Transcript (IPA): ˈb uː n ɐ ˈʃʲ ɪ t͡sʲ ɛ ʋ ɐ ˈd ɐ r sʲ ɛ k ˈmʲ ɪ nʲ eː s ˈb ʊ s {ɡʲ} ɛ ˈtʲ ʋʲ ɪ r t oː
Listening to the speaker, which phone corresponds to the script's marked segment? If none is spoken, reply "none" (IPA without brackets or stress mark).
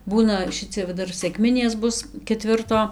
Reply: kʲ